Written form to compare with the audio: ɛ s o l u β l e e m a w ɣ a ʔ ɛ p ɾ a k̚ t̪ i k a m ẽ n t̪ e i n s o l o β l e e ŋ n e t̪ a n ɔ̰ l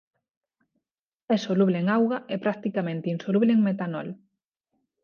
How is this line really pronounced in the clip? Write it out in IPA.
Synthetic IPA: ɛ s o l u β l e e ŋ a w ɣ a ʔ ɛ p ɾ a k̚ t̪ i k a m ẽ n t̪ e i n s o l u β l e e ŋ m e t̪ a n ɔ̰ l